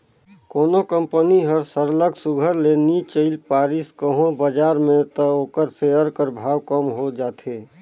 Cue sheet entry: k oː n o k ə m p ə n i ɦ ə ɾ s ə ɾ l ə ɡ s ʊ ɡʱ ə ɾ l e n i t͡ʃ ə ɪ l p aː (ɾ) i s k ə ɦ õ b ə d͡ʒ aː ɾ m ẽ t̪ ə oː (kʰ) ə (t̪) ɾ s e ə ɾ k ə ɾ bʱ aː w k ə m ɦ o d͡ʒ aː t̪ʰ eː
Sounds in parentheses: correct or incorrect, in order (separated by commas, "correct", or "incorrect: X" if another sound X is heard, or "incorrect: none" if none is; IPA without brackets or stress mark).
correct, incorrect: k, incorrect: none